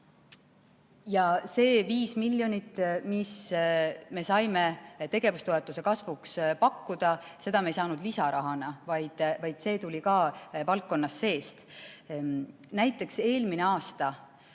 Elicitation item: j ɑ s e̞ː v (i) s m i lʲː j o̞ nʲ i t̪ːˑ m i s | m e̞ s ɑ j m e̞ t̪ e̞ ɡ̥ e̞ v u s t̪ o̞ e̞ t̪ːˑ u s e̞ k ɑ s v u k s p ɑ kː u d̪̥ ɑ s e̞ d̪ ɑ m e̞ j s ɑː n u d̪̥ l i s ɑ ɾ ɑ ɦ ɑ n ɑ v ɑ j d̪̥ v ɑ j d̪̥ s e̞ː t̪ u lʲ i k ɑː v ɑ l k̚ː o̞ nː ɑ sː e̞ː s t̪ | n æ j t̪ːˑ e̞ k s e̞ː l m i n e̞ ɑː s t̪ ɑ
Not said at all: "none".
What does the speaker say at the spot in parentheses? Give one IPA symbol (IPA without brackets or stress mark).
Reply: iː